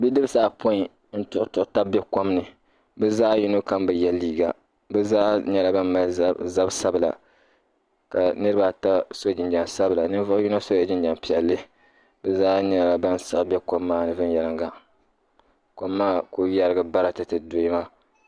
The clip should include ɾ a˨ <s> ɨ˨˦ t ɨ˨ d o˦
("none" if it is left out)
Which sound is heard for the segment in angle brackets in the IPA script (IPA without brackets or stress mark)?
t